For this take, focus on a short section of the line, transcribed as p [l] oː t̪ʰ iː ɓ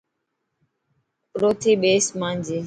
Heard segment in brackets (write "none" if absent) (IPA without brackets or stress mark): ɾ